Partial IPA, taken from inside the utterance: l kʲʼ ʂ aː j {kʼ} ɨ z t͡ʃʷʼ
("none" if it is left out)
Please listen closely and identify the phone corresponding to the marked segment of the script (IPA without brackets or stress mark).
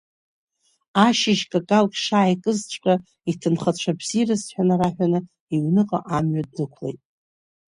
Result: kʼ